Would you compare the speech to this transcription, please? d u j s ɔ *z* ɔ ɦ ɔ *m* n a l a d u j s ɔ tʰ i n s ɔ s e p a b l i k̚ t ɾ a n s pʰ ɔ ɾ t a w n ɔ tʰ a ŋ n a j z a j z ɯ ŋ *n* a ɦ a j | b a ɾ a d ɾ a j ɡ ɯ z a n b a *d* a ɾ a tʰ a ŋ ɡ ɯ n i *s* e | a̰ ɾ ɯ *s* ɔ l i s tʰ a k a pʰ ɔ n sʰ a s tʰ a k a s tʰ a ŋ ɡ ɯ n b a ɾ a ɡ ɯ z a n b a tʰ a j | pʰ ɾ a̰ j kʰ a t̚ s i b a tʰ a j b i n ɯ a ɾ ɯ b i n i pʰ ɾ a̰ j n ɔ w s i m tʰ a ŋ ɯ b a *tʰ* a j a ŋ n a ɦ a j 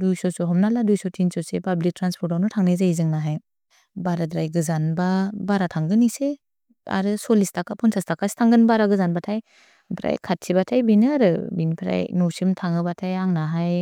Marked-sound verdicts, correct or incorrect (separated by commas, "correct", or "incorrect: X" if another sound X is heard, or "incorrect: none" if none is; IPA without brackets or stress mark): incorrect: s, correct, correct, incorrect: b, correct, correct, correct